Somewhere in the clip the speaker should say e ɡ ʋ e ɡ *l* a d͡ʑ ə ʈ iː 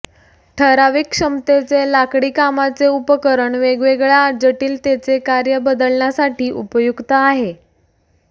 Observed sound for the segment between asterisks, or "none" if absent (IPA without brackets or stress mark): ɭ